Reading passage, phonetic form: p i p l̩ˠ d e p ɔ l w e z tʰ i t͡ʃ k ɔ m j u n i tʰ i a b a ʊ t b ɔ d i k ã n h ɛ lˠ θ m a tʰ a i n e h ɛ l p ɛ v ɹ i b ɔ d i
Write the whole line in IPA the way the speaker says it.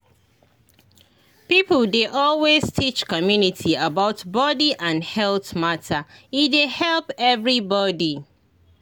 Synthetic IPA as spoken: p i p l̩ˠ d e ʔ ɔ l w e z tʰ i t͡ʃ k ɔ m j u n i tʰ i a b a ʊ t b ɔ d i ʔ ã n h ɛ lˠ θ m a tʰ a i d e h ɛ l p ɛ v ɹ i b ɔ d i